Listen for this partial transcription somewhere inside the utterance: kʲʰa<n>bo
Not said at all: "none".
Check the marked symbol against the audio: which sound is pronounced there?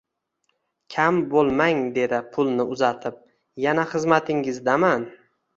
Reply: m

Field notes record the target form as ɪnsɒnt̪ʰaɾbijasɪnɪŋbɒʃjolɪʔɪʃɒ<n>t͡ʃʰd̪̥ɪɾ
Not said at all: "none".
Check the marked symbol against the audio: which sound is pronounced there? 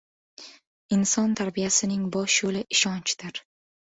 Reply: n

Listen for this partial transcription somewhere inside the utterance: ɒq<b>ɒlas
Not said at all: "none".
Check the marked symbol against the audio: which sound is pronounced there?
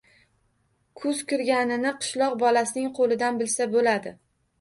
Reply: b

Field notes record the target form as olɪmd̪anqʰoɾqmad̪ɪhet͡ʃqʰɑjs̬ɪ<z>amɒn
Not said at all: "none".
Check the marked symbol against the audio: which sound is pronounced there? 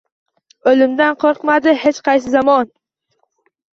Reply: z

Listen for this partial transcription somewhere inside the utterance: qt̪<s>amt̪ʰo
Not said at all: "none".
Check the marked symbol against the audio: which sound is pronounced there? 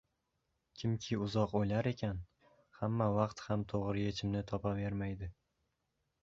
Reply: h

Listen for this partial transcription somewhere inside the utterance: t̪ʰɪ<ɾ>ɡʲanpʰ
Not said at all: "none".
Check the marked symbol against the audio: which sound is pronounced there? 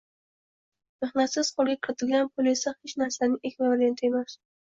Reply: l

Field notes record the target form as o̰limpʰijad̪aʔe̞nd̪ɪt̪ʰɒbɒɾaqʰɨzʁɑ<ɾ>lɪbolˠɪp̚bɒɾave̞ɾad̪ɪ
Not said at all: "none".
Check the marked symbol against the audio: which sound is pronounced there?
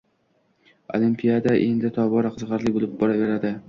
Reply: ɾ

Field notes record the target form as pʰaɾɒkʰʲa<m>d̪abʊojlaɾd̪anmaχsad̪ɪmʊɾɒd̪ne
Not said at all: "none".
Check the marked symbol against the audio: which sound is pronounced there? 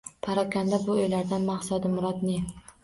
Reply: n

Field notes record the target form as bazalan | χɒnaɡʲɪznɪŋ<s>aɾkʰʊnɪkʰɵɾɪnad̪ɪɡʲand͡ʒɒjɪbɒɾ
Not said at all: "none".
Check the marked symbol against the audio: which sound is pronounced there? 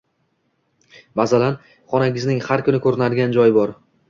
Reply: h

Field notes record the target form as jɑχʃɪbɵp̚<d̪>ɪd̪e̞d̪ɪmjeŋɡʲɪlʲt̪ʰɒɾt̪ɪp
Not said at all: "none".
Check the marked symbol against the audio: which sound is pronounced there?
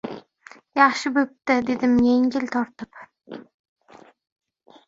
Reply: t̪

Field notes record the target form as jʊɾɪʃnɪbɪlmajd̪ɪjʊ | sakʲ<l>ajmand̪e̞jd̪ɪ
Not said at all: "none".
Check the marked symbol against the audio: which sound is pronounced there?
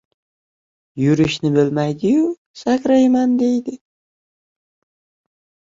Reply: ɾ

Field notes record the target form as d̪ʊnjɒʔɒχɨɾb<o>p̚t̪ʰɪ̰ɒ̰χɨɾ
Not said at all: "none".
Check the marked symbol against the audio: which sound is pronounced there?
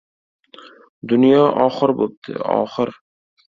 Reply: o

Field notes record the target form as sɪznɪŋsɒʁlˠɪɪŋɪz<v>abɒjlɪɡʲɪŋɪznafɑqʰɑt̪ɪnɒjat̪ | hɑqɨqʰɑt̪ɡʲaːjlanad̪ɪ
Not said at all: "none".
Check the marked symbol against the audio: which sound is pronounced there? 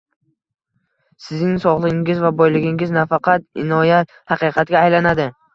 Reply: v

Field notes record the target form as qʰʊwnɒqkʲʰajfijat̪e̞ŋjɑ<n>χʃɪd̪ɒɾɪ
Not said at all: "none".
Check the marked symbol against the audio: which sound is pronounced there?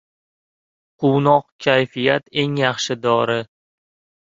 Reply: none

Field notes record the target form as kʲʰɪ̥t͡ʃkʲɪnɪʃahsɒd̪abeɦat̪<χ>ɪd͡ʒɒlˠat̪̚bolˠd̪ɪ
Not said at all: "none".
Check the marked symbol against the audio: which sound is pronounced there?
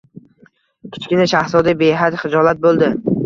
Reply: χ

